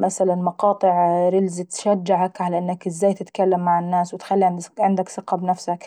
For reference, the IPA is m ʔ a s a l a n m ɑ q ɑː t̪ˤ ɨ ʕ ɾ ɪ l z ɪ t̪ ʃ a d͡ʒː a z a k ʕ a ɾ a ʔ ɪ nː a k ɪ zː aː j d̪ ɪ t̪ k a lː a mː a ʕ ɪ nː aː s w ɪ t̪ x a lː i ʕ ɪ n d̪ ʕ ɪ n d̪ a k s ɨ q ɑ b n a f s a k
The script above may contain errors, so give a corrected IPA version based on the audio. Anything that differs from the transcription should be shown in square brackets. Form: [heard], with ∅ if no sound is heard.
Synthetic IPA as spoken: m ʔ a s a l a n m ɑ q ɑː t̪ˤ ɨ ʕ ɾ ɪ l z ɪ t̪ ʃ a d͡ʒː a [ʕ] a k ʕ a [l] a ʔ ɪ nː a k ɪ zː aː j [t̪] ɪ t̪ k a lː a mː a ʕ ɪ nː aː s w ɪ t̪ x a lː i ʕ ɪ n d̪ ʕ ɪ n d̪ a k s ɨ q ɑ b n a f s a k